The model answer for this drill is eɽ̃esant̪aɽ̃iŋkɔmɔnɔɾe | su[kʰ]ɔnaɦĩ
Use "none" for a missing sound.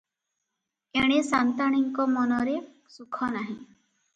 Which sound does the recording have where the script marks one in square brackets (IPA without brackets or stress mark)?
kʰ